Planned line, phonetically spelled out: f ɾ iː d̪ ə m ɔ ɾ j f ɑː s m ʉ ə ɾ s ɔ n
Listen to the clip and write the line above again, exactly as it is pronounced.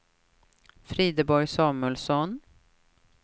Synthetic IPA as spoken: f ɾ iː d̪ ə b ɔ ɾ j s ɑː m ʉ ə l s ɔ n